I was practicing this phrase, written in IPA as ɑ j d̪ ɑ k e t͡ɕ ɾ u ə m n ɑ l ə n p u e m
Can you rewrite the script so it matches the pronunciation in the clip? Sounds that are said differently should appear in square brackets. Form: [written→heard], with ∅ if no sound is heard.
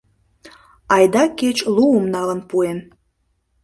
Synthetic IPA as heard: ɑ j d̪ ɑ k e t͡ɕ [ɾ→l] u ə m n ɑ l ə n p u e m